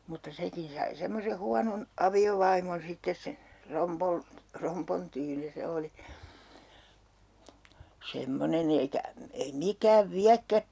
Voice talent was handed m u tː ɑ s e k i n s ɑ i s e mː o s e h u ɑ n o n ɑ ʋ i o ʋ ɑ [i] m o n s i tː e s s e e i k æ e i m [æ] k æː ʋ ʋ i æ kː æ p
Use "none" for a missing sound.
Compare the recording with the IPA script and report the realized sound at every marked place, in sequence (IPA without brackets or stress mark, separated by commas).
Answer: i, i